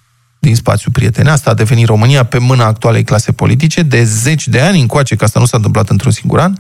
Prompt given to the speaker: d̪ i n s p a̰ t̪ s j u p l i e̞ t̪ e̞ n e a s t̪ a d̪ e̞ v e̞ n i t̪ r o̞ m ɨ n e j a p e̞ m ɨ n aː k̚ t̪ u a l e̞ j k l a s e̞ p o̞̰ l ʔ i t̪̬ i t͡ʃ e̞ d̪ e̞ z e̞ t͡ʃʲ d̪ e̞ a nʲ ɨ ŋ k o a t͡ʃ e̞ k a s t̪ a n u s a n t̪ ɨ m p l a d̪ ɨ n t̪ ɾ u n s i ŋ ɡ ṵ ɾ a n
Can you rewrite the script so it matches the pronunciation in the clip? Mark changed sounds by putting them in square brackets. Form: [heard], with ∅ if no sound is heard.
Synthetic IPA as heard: d̪ i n s p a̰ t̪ s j u p [ɾ] i e̞ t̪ e̞ n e a s t̪ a d̪ e̞ v e̞ n i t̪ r o̞ m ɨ n [i] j a p e̞ m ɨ n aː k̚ t̪ u a l e̞ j k l a s e̞ p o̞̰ l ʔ i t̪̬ i t͡ʃ e̞ d̪ e̞ z e̞ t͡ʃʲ d̪ e̞ a nʲ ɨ ŋ k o a t͡ʃ e̞ k a s t̪ a n u s a n t̪ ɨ m p l a [t̪] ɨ n t̪ ɾ u n s i ŋ ɡ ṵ ɾ a n